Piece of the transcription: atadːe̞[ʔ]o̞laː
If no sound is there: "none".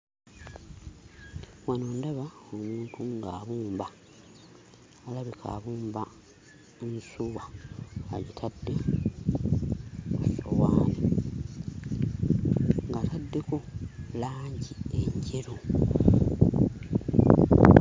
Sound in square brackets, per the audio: k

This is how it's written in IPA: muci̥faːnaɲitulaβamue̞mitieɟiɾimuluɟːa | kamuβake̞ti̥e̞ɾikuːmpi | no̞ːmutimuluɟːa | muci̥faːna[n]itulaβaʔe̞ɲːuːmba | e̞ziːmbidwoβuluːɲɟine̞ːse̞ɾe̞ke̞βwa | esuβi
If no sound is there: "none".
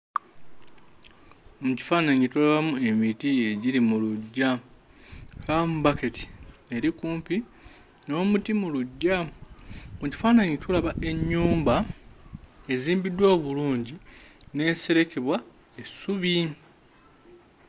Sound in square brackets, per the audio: ɲ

